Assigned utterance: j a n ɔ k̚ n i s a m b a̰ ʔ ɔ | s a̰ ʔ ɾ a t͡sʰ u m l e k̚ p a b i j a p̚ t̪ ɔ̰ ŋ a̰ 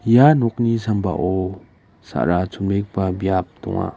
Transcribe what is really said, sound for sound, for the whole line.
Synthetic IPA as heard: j a n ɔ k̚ n i s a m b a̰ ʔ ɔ | s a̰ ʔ ɾ a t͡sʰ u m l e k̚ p a b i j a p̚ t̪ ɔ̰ ŋ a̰